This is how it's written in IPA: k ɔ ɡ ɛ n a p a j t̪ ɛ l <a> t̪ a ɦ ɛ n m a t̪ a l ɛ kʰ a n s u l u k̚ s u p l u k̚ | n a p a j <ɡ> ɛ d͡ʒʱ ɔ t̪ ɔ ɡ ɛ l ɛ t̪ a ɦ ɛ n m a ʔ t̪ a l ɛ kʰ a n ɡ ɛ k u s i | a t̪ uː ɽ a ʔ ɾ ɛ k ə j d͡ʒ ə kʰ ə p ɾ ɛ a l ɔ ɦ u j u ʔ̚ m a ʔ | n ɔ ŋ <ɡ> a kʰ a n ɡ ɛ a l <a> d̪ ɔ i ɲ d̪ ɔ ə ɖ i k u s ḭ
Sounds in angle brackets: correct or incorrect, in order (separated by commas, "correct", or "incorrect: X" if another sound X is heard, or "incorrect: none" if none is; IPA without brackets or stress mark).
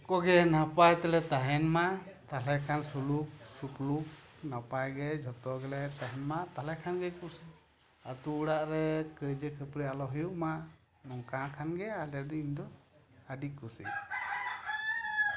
incorrect: ɛ, correct, incorrect: k, incorrect: ɛ